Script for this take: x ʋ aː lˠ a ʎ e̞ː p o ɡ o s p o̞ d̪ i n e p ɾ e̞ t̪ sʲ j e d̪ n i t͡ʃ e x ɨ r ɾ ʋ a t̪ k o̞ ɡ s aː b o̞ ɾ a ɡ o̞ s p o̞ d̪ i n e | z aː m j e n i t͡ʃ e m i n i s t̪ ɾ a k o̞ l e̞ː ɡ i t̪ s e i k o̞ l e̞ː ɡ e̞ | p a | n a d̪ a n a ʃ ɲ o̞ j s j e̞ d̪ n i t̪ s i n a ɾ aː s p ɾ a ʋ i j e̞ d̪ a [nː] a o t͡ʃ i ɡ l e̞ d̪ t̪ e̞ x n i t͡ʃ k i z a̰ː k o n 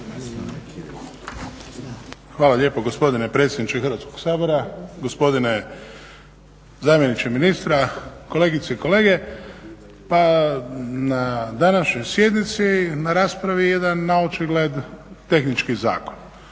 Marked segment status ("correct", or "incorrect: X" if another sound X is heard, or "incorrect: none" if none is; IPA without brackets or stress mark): correct